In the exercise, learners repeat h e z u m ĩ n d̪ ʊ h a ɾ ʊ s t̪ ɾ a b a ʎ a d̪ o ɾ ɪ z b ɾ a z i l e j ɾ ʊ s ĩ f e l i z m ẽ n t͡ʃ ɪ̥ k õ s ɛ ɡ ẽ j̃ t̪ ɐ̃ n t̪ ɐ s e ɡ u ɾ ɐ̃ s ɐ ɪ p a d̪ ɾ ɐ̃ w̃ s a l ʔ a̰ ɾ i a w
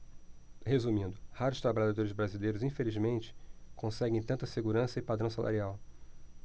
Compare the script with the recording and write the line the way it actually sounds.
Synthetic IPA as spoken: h e z u m ĩ n d̪ ʊ h a ɾ ʊ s t̪ ɾ a b a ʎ a d̪ o ɾ ɪ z b ɾ a z i l e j ɾ ʊ z ĩ f e l i z m ẽ n t͡ʃ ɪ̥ k õ s ɛ ɡ ẽ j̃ t̪ ɐ̃ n t̪ ɐ s e ɡ u ɾ ɐ̃ s ɐ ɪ p a d̪ ɾ ɐ̃ w̃ s a l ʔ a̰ ɾ i a w

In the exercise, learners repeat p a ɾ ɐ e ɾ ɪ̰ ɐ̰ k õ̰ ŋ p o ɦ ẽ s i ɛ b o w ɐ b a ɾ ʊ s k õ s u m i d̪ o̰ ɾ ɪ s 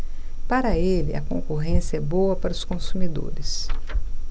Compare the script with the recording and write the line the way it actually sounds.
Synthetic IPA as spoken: p a ɾ ɐ e l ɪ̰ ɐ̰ k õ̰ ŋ k o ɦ ẽ s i ɛ b o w ɐ p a ɾ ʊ s k õ s u m i d̪ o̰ ɾ ɪ s

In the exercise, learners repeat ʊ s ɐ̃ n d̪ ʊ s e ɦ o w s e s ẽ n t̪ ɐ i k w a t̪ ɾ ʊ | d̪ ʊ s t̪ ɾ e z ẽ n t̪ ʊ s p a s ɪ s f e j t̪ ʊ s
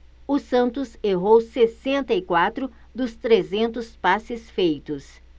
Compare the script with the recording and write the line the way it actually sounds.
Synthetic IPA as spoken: ʊ s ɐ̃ n t̪ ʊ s e ɦ o w s e s ẽ n t̪ ɐ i k w a t̪ ɾ ʊ | d̪ ʊ s t̪ ɾ e z ẽ n t̪ ʊ s p a s ɪ s f e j t̪ ʊ s

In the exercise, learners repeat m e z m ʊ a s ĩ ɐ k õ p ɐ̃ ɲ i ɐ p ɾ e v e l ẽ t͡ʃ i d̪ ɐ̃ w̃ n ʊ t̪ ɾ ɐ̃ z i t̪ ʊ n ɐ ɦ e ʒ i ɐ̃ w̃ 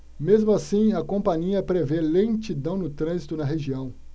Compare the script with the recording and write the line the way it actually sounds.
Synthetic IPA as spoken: m e z m ʊ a s ĩ ɐ k õ p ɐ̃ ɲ i ɐ p ɾ e v e l ẽ t͡ʃ i d̪ ɐ̃ w̃ n ʊ t̪ ɾ ɐ̃ z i t̪ ʊ n ɐ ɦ e ʒ i ɐ̃ w̃

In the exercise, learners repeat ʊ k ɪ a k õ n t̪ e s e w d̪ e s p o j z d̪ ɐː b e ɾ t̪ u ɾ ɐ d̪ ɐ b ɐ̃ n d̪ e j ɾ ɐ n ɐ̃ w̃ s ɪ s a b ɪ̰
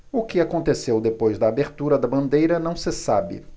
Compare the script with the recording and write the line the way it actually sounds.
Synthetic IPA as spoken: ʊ k ɪ a k õ n t̪ e s e w d̪ e p o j z d̪ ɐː b e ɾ t̪ u ɾ ɐ d̪ ɐ b ɐ̃ n d̪ e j ɾ ɐ n ɐ̃ w̃ s ɪ s a b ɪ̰

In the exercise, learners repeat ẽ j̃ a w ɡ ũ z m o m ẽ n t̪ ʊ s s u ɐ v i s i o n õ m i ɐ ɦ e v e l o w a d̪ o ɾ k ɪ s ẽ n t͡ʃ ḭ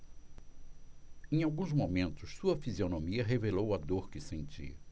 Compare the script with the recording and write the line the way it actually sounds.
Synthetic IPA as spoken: ẽ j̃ a w ɡ ũ z m o m ẽ n t̪ ʊ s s u ɐ f i z i o n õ m i ɐ ɦ e v e l o w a d̪ o ɾ k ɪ s ẽ n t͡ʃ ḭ

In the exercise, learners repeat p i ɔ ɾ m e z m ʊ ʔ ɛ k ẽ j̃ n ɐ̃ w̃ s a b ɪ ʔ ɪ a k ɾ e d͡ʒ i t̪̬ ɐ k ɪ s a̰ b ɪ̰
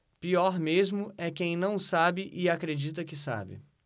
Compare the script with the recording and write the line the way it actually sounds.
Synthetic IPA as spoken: p i ɔ ɾ m e z m ʊ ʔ ɛ k ẽ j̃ n ɐ̃ w̃ s a b ɪ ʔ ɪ a k ɾ e d͡ʒ i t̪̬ ɐ k ɪ s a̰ b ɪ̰

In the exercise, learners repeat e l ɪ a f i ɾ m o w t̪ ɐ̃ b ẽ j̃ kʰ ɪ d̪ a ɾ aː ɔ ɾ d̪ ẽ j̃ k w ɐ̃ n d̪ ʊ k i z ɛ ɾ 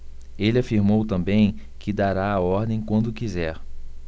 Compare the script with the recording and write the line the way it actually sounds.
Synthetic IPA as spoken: e l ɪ a f i ɾ m o w t̪ ɐ̃ b ẽ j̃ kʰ ɪ d̪ a ɾ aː ɔ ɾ d̪ ẽ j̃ k w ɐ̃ n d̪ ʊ k i z ɛ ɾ

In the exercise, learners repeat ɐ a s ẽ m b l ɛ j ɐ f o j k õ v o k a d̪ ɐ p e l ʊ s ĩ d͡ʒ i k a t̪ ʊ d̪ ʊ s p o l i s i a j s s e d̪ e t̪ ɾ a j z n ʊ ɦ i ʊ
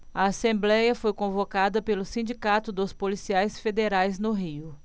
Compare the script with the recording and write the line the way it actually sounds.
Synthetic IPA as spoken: ɐ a s ẽ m b l ɛ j ɐ f o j k õ v o k a d̪ ɐ p e l ʊ s ĩ d͡ʒ i k a t̪ ʊ d̪ ʊ s p o l i s i a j s f e d̪ e ɾ a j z n ʊ ɦ i ʊ

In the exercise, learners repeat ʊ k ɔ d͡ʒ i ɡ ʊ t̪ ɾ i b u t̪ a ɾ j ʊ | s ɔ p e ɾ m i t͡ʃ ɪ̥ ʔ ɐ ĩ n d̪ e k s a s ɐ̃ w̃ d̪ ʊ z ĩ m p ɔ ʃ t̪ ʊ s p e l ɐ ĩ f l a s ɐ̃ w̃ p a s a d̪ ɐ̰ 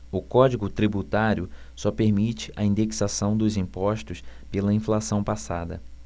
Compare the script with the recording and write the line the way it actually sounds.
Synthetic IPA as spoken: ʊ k ɔ d͡ʒ i ɡ ʊ t̪ ɾ i b u t̪ a ɾ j ʊ | s ɔ p e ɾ m i t͡ʃ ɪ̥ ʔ ɐ ĩ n d̪ e k s a s ɐ̃ w̃ d̪ ʊ z ĩ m p ɔ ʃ t̪ ʊ s p e l ɐ ĩ f l a s ɐ̃ w̃ p a s a d̪ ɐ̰

